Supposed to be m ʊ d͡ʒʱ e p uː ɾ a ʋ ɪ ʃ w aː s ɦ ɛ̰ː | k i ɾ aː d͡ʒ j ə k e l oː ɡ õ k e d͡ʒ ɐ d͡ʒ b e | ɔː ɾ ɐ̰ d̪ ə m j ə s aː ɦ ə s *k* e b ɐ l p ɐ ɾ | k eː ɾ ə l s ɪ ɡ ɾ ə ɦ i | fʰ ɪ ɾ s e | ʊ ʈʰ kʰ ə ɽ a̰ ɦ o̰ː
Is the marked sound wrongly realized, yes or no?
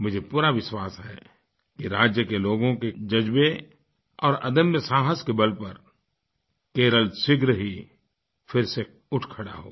no